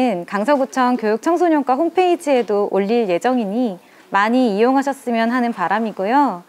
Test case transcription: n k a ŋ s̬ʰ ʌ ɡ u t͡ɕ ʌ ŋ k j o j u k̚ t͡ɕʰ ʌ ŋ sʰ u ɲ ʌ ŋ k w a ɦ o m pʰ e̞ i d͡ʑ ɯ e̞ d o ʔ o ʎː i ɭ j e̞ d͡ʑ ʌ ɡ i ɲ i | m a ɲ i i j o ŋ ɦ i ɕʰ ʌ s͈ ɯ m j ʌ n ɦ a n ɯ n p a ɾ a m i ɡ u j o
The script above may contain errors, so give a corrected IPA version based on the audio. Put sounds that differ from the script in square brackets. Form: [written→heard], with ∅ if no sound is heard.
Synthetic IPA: n k a ŋ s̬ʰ ʌ ɡ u [t͡ɕ→t͡ɕʰ] ʌ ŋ k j o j u k̚ t͡ɕʰ ʌ ŋ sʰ [u→o] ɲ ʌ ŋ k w a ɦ o m pʰ e̞ i d͡ʑ ɯ e̞ d o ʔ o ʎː i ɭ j e̞ d͡ʑ ʌ [ɡ→ŋ] i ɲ i | m a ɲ i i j o ŋ ɦ [i→a] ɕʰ ʌ s͈ ɯ m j ʌ n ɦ a n ɯ n p a ɾ a m i ɡ u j o